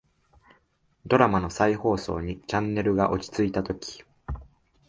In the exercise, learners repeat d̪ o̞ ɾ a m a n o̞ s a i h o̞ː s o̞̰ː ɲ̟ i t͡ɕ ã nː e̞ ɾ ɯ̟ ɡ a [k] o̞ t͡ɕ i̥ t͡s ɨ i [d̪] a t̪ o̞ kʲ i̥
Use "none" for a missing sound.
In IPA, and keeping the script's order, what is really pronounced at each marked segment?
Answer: ʔ, t̪

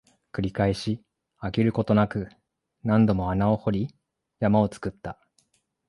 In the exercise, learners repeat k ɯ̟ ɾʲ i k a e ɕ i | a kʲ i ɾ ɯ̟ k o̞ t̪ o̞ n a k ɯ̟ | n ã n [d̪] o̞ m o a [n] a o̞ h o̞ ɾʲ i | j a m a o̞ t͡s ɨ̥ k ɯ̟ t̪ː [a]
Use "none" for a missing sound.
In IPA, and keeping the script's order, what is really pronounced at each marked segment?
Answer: d̪, n, a

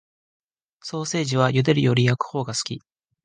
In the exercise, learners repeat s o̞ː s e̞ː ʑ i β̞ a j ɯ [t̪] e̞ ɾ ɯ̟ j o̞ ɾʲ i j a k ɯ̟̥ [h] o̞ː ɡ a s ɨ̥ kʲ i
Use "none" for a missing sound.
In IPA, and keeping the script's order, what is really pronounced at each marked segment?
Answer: d̪, h

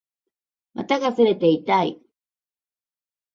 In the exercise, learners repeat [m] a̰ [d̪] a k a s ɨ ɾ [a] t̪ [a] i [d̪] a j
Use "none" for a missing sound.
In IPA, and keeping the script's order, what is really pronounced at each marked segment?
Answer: m, t̪, e, e, t̪

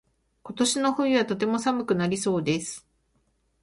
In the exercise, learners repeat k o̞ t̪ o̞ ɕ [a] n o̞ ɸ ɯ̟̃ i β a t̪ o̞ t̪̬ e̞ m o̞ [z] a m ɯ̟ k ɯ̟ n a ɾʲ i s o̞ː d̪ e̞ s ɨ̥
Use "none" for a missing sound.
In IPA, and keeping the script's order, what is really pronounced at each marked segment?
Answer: i, s

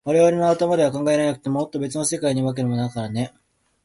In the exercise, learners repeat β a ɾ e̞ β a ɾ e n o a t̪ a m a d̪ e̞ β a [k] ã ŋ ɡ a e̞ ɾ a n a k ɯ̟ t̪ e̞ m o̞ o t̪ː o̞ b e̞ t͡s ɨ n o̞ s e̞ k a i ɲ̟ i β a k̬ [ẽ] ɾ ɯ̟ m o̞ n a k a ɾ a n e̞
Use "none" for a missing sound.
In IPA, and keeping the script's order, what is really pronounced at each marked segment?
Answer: k, e

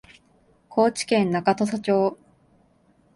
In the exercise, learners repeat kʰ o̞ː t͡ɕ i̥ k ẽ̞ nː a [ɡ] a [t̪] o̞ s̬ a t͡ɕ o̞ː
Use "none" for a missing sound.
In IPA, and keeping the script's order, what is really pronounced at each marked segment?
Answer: k, t̪

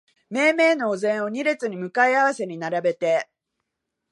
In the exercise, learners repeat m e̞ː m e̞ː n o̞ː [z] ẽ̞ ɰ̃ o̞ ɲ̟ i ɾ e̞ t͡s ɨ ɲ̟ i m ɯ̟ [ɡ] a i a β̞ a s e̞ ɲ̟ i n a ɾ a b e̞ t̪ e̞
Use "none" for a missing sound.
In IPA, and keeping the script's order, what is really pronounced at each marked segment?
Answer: z, k

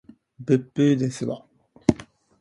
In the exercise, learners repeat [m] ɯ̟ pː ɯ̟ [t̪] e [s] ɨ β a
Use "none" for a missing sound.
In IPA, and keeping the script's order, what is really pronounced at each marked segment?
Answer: b, d̪, s

